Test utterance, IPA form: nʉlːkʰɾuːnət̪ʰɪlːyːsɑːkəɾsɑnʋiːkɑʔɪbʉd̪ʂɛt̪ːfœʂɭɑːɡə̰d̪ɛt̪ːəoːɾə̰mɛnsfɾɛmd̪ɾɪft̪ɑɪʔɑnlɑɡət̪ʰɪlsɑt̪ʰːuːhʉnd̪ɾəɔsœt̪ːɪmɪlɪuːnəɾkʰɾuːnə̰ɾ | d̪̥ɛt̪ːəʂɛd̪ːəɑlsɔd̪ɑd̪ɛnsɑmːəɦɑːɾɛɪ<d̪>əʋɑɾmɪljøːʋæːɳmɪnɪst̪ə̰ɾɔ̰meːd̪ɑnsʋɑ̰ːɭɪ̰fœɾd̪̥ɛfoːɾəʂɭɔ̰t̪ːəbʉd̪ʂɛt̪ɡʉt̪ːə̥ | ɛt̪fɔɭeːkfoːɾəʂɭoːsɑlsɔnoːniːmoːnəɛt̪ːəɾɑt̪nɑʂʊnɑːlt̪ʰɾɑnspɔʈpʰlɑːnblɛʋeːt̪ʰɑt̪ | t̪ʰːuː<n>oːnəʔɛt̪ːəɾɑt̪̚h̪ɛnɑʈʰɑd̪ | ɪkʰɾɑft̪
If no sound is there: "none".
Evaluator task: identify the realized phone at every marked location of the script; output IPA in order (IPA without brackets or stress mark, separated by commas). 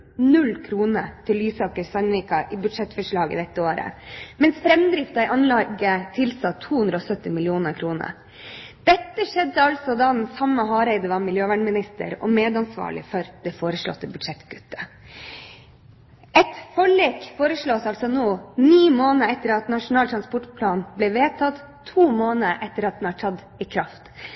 d̪, m